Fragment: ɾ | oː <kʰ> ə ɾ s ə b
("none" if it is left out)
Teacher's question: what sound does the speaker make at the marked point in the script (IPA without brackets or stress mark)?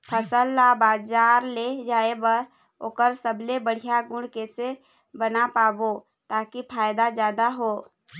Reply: k